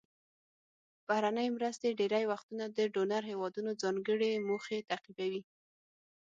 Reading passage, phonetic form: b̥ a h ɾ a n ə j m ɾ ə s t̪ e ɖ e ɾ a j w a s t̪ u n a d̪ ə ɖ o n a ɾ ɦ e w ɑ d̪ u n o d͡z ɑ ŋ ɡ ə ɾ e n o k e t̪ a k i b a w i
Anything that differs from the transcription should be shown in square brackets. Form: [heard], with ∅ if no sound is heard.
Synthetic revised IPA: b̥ a h ɾ a n ə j m ɾ ə s t̪ e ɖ e ɾ a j w a [x] t̪ u n a d̪ ə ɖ o n a ɾ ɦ e w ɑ d̪ u n o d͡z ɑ ŋ ɡ ə [ɽ] e [m] o [x] e t̪ a [q] i b a w i